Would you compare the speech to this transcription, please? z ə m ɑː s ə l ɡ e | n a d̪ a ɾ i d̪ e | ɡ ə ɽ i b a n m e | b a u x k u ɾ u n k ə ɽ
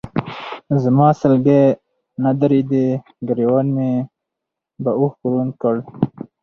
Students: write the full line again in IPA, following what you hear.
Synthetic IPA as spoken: z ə m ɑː s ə l ɡ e | n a d̪ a ɾ i d̪ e | ɡ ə ɾ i w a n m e | b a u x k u ɾ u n k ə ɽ